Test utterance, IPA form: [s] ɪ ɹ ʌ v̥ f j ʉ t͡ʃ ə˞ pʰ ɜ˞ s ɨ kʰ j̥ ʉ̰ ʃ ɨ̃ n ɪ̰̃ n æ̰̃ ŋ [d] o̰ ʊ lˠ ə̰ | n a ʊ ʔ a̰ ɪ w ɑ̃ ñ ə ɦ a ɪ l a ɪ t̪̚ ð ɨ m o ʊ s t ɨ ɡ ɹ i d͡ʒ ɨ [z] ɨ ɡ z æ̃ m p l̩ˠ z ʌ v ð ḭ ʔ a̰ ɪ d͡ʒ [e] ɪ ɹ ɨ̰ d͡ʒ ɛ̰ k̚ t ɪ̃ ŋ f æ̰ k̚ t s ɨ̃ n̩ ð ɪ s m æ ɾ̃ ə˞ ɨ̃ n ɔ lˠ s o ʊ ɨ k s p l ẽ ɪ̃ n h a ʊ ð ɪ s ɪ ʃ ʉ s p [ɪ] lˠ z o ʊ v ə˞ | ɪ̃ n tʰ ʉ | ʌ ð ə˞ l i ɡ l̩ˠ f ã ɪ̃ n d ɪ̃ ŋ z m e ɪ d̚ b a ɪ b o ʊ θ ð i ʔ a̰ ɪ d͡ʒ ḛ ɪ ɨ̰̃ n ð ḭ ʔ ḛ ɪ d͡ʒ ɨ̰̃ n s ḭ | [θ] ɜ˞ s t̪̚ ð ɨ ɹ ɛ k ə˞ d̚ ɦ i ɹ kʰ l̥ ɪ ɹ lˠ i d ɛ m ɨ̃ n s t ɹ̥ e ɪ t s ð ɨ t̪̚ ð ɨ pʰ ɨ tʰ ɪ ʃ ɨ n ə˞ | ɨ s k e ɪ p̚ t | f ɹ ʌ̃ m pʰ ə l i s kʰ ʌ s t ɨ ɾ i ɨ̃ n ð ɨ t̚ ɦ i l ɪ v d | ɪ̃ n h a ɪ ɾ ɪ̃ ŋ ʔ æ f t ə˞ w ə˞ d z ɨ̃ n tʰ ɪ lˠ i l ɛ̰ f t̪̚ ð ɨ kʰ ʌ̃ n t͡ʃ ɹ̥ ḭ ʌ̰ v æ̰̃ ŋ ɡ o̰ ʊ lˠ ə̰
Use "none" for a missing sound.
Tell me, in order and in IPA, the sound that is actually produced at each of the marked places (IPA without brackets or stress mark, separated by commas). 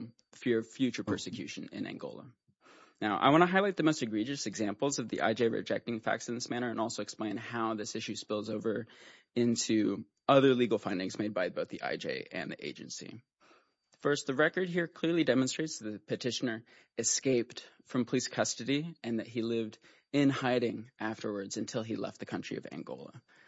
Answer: f, ɡ, s, e, ɪ, f